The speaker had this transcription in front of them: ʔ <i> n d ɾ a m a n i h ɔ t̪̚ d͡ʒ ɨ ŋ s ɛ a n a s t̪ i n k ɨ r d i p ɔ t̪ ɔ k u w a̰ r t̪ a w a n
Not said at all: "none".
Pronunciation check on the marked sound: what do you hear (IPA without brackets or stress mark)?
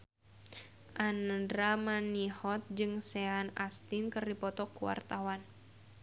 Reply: a